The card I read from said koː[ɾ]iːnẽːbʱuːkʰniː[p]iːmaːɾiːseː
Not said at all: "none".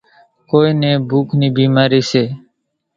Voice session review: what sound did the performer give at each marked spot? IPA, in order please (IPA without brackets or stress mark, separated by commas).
none, b